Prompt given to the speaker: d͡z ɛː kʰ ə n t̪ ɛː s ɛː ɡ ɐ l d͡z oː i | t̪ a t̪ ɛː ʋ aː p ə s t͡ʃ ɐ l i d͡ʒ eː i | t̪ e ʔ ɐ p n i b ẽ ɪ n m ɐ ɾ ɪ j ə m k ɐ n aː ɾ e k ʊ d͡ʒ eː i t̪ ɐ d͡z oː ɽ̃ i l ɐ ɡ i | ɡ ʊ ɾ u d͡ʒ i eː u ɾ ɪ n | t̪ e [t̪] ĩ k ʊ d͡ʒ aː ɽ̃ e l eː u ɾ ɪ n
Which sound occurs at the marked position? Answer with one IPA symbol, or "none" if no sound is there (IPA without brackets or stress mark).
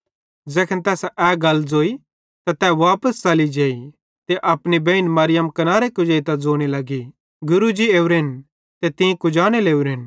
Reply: t̪